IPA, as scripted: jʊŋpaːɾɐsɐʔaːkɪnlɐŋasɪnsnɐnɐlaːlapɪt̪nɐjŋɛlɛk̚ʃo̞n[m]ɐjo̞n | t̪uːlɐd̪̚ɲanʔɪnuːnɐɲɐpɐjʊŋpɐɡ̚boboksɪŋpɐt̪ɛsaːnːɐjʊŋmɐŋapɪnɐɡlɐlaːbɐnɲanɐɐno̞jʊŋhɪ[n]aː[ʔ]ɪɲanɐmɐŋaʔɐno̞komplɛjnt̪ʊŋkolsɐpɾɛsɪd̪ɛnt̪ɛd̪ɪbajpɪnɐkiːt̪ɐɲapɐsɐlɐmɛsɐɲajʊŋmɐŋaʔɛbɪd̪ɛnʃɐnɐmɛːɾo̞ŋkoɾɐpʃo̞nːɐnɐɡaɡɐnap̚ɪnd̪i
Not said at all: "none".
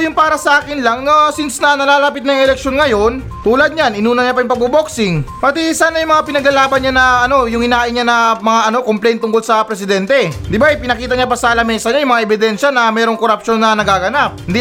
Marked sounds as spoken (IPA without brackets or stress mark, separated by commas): ŋ, n, ʔ